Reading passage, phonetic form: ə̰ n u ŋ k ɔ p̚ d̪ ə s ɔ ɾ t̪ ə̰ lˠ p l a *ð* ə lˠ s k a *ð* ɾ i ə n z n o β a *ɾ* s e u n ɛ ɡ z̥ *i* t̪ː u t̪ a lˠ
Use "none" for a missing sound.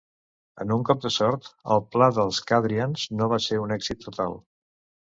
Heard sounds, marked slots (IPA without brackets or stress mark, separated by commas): ð, ð, none, i